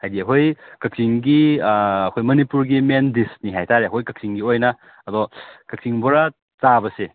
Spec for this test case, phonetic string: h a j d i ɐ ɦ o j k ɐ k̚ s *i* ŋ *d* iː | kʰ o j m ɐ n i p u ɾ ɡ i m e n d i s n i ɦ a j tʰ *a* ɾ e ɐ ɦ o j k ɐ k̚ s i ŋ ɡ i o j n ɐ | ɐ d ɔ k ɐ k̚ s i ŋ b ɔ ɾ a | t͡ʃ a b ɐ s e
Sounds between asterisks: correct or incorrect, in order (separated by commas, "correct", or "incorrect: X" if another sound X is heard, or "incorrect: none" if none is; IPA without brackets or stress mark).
correct, incorrect: ɡ, correct